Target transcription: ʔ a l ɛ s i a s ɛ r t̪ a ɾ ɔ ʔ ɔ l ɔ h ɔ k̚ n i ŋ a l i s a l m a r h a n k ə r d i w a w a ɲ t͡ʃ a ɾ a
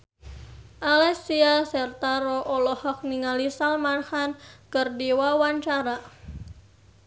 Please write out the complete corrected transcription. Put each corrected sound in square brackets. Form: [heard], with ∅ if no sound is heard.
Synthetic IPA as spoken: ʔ a l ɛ s i a s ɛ r t̪ a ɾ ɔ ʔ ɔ l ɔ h ɔ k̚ n i ŋ a l i s a l m a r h a n k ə r d i w a w a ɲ t͡ʃ a ɾ a